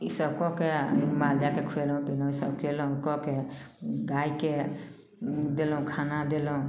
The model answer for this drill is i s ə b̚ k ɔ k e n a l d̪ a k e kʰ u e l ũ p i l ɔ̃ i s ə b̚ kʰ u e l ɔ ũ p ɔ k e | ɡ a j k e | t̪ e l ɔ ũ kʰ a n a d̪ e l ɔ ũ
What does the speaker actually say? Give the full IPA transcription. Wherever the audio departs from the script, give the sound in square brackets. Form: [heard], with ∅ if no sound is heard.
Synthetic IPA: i s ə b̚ k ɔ k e [m] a l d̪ a k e kʰ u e l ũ p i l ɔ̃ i s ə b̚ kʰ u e l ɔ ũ [k] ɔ k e | ɡ a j k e | [d̪] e l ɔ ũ kʰ a n a d̪ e l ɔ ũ